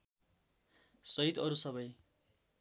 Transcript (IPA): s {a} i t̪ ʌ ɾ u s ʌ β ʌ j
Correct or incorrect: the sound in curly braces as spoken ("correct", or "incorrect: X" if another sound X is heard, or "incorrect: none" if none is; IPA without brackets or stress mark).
incorrect: ʌ